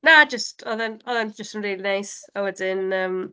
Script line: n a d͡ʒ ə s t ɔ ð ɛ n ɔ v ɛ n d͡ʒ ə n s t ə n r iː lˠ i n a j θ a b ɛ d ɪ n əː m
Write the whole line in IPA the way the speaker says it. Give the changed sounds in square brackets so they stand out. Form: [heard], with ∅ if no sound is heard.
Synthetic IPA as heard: n a d͡ʒ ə s t ɔ ð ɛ n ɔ [ð] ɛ n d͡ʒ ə [∅] s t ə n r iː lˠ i n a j [s] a [w] ɛ d ɪ n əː m